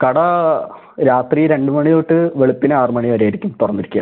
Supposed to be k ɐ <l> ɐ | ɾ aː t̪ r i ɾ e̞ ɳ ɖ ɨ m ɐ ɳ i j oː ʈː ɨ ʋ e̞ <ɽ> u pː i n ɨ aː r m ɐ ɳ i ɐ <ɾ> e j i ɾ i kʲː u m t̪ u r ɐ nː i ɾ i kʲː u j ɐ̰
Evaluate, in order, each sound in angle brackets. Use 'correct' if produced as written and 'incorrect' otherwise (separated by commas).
incorrect, incorrect, correct